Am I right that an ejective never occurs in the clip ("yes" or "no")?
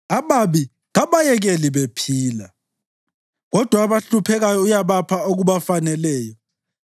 yes